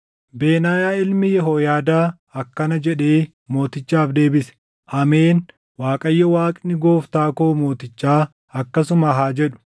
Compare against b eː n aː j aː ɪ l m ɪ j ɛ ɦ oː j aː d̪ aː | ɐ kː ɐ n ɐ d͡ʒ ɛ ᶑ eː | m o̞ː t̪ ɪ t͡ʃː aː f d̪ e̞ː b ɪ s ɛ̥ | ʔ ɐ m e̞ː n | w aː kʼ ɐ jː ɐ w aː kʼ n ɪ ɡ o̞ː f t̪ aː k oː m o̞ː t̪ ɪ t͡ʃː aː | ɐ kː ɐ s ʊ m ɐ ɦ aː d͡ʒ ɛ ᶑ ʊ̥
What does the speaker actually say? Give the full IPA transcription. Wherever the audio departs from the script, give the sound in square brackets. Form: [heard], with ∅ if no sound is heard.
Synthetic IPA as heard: b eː n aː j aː ɪ l m ɪ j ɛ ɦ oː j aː d̪ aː | ɐ kː ɐ n ɐ d͡ʒ ɛ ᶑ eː | m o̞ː t̪ ɪ t͡ʃː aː f d̪ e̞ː b ɪ s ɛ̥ | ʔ ɐ m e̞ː n | w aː kʼ ɐ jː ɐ w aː kʼ n ɪ ɡ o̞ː f t̪ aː k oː m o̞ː t̪ ɪ t͡ʃː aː | ɐ kː ɐ s ʊ m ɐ ɦ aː d͡ʒ ɛ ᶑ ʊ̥